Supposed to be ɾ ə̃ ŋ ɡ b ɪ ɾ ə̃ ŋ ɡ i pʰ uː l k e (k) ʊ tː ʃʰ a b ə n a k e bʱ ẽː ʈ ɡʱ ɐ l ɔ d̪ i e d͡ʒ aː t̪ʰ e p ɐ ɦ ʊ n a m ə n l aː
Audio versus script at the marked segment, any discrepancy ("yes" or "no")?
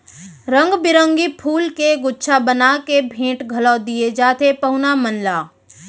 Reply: yes